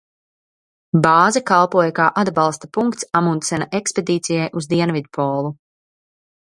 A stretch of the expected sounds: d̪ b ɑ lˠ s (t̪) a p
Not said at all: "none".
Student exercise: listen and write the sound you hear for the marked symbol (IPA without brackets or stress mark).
t̪